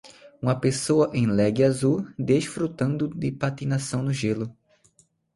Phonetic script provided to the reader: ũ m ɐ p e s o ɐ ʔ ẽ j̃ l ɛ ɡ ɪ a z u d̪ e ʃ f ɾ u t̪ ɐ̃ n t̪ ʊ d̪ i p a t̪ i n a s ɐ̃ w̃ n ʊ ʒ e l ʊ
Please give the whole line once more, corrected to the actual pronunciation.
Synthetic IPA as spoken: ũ m ɐ p e s o ɐ ʔ ẽ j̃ l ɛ ɡ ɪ a z u d̪ e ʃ f ɾ u t̪ ɐ̃ n d̪ ʊ d̪ ɪ p a t̪ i n a s ɐ̃ w̃ n ʊ ʒ e l ʊ